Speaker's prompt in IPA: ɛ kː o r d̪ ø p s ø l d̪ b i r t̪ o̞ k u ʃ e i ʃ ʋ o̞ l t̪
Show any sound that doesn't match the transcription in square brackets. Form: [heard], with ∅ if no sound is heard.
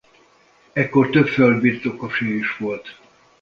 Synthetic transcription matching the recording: ɛ kː o r [t̪] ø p [f] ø l d̪ b i r t̪ o̞ k [o] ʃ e i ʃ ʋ o̞ l t̪